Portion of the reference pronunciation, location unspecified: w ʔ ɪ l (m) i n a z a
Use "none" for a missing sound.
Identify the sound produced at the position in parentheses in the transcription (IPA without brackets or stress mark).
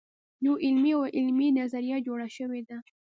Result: m